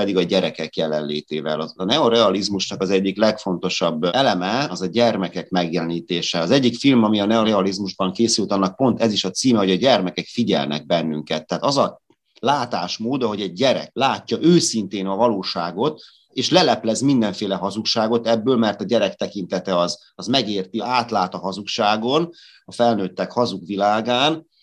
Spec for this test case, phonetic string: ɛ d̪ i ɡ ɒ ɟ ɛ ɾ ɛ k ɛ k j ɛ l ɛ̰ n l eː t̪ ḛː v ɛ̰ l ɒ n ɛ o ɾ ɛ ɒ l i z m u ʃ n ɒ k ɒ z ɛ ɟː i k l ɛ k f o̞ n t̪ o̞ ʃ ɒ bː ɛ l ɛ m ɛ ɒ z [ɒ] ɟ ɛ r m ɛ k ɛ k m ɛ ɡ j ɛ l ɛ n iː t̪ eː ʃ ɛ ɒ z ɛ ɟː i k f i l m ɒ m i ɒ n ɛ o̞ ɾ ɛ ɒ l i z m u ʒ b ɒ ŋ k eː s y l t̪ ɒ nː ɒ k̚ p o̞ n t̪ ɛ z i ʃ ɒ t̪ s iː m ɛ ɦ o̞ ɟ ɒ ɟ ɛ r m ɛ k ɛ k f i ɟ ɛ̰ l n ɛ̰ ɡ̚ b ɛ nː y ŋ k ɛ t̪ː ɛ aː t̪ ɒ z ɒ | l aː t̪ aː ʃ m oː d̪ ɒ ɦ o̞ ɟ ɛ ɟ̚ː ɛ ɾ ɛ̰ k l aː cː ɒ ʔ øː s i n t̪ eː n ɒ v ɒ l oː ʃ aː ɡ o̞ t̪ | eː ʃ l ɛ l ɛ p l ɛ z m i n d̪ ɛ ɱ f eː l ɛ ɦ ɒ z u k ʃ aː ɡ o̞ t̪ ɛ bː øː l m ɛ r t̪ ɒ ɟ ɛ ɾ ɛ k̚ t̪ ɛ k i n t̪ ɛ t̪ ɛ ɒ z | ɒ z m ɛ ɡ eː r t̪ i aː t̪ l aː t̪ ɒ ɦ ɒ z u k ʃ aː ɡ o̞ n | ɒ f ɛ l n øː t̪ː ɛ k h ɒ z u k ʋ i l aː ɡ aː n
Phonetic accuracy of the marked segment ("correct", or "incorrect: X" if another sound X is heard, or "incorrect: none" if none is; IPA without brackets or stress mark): correct